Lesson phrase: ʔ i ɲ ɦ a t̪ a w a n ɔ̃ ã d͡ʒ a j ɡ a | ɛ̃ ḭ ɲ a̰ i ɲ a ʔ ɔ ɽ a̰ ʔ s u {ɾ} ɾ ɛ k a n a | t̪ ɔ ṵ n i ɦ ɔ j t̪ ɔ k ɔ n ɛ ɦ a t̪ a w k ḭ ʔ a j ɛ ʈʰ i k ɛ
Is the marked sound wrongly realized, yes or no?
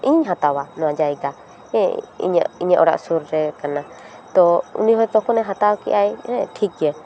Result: no